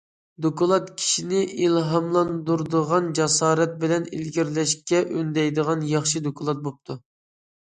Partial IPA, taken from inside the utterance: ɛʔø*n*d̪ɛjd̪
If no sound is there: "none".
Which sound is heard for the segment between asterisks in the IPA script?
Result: n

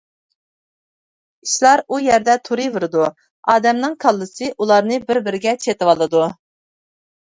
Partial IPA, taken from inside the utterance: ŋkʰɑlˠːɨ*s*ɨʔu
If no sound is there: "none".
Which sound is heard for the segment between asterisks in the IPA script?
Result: s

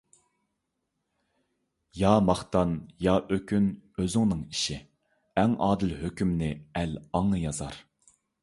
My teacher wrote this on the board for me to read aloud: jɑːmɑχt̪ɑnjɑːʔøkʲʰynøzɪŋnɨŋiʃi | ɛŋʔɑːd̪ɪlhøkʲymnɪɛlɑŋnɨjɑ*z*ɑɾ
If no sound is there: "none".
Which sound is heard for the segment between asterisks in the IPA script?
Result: z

